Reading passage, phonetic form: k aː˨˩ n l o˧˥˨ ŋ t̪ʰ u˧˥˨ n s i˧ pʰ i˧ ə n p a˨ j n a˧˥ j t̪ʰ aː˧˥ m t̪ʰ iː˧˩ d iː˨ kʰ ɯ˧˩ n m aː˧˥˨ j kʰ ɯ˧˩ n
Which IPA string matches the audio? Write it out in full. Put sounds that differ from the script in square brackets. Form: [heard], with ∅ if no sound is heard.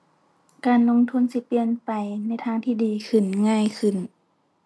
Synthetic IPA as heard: k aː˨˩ n l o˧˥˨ ŋ t̪ʰ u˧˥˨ n s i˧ [p] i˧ ə n p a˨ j n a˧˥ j t̪ʰ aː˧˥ [ŋ] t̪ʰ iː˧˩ d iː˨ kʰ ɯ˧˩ n [ŋ] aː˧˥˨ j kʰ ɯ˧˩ n